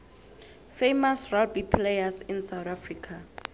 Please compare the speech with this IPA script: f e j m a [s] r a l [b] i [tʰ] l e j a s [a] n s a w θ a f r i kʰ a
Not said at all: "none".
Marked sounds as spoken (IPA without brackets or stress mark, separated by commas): s, b, pʰ, i